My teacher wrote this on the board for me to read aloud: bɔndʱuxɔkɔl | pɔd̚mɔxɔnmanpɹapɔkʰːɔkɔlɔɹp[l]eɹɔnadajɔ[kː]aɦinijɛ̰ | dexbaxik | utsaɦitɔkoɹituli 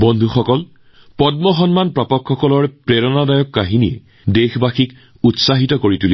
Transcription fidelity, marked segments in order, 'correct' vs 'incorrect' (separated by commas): incorrect, correct